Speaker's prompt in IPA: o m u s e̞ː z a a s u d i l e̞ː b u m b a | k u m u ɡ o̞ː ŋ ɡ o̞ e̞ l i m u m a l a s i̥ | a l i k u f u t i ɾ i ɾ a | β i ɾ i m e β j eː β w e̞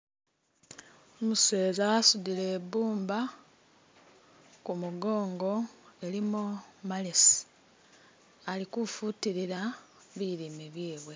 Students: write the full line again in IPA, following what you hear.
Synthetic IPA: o m u s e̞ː z a a s u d i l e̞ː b uː m b a | k u m u ɡ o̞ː ŋ ɡ o̞ e̞ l i m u m a l e s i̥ | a l i k u f u t i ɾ i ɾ a | β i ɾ i m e β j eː β w e̞